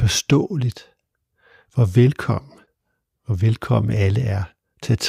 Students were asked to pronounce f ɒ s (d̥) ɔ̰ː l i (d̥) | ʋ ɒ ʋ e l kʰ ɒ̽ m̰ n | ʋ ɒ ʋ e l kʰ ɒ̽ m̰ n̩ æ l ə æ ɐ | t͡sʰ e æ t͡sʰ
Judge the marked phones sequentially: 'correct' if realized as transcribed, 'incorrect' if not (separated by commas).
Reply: correct, correct